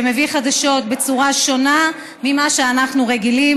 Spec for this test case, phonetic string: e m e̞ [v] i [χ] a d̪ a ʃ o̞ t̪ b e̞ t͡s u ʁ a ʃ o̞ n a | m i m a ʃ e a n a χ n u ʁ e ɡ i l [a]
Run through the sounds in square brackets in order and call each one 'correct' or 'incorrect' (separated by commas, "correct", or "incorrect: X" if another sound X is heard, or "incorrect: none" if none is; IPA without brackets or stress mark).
correct, correct, incorrect: i